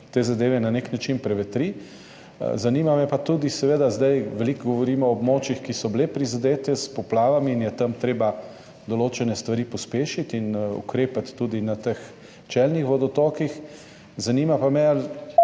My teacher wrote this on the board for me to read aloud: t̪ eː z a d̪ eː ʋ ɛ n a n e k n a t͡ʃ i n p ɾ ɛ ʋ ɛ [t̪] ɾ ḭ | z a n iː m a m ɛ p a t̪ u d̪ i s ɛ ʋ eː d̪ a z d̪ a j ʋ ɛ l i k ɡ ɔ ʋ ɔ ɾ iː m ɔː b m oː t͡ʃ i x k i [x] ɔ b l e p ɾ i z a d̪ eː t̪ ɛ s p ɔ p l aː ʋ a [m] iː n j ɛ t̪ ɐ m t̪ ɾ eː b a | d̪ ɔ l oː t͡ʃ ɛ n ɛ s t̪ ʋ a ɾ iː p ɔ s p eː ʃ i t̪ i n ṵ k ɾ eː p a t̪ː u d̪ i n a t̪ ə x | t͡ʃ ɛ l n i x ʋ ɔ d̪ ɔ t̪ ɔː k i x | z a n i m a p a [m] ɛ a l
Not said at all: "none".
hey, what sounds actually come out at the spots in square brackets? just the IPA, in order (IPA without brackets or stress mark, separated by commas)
t̪, s, m, m